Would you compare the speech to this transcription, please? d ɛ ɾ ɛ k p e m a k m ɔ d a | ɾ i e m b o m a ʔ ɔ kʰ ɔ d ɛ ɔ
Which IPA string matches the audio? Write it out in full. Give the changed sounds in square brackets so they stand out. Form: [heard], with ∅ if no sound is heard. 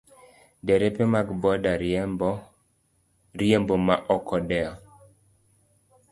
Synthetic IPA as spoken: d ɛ ɾ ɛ [∅] p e m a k [b] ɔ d a | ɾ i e m b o m a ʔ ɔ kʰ ɔ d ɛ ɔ